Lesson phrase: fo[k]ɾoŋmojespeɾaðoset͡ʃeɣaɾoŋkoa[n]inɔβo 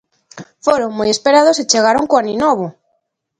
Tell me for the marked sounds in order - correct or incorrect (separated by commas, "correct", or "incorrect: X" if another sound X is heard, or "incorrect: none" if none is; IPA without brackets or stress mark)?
incorrect: none, correct